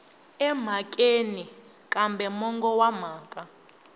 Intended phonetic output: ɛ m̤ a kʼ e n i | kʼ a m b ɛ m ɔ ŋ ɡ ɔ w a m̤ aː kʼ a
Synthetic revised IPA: ɛ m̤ a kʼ e n i | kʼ a m b ɛ m ɔ ŋ ɡ ɔ w a m̤ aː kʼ a

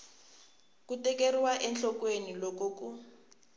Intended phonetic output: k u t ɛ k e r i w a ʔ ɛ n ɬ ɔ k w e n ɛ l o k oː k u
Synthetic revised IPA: k u t ɛ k e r i w a ʔ ɛ n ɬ ɔ k w e n i l o k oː k u

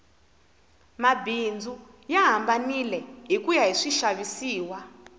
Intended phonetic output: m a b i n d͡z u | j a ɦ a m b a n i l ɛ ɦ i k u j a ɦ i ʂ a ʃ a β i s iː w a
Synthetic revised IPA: m a b i n d͡z u | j a ɦ a m b a n i l ɛ ɦ i k u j a ɦ i ʂ i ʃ a β i s iː w a

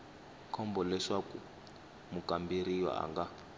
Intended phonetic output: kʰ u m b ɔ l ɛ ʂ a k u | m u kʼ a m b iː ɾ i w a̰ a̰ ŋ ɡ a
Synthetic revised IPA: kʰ ɔ m b ɔ l ɛ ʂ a k u | m u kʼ a m b i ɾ i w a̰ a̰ ŋ ɡ a

